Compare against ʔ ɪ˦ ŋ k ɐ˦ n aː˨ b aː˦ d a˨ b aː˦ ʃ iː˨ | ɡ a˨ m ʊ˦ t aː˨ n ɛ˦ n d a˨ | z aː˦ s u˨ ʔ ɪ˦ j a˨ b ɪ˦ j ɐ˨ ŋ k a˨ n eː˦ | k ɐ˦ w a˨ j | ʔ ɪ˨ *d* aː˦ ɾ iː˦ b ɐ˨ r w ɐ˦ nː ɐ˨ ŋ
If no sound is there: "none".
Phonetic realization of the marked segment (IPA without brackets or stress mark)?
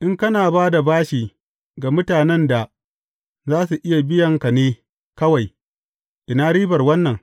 n